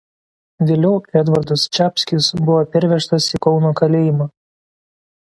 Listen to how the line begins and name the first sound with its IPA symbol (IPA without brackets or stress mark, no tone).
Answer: ʋʲ